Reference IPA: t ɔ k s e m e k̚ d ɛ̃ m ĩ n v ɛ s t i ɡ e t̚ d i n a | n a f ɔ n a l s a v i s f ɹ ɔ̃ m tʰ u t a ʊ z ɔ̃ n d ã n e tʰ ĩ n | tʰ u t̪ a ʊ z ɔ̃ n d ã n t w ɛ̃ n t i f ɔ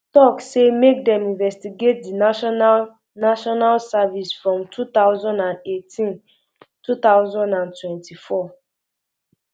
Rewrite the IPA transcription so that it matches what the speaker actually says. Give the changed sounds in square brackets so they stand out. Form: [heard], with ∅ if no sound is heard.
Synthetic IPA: t ɔ k s e m e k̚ d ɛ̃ m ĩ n v ɛ s t i ɡ e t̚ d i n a | n a [ʃ] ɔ n a l s a v i s f ɹ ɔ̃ m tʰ u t a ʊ z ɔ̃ n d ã n e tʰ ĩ n | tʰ u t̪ a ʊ z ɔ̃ n d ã n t w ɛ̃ n t i f ɔ